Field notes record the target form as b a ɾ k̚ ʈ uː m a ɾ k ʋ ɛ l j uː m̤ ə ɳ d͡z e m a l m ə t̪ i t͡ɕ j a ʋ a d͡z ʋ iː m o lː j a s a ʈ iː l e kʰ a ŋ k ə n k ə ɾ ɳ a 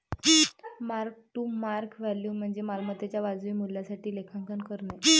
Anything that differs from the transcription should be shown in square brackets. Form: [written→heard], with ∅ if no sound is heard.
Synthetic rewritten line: [b→m] a ɾ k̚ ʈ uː m a ɾ k ʋ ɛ l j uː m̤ ə ɳ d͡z e m a l m ə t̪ [i→e] t͡ɕ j a ʋ a d͡z ʋ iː m [o→u] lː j a s a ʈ iː l e kʰ a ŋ k ə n k ə ɾ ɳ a